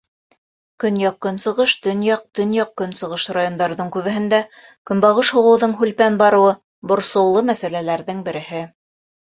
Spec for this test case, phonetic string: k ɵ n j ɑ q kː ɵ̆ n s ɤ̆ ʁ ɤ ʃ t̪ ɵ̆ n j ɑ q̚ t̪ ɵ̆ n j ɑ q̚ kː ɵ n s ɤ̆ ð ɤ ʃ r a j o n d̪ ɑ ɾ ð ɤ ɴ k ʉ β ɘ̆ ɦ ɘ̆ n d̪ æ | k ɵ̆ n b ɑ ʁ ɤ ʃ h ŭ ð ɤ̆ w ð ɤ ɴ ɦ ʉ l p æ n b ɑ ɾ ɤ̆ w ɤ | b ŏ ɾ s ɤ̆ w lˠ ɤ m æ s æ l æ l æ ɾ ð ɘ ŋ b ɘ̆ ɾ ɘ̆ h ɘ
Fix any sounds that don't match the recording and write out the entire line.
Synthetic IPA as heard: k ɵ n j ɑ q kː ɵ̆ n s ɤ̆ ʁ ɤ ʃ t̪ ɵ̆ n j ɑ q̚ t̪ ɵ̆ n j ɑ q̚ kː ɵ n s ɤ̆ ʁ ɤ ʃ r a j o n d̪ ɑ ɾ ð ɤ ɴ k ʉ β ɘ̆ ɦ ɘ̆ n d̪ æ | k ɵ̆ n b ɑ ʁ ɤ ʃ h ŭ ʁ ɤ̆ w ð ɤ ɴ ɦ ʉ l p æ n b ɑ ɾ ɤ̆ w ɤ | b ŏ ɾ s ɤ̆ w lˠ ɤ m æ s æ l æ l æ ɾ ð ɘ ŋ b ɘ̆ ɾ ɘ̆ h ɘ